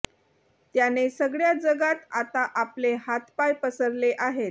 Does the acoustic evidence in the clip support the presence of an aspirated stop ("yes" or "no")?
no